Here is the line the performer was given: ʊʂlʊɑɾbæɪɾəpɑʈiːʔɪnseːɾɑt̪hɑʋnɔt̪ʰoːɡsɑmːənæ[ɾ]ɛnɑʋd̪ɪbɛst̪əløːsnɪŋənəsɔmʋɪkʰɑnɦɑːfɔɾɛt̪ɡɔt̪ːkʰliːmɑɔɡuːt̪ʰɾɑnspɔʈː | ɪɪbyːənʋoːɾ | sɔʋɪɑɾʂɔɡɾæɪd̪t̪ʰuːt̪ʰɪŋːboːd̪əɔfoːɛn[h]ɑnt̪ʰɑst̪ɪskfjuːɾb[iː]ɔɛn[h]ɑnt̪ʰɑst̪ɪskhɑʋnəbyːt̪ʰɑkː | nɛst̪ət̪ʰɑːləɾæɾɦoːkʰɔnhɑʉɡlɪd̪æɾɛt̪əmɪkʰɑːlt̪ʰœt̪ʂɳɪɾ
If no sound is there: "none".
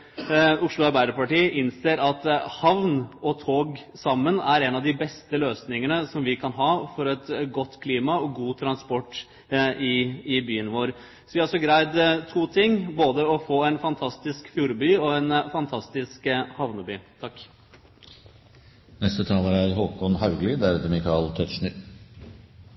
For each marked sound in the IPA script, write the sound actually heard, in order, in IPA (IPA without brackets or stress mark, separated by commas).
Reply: ɾ, f, yː, f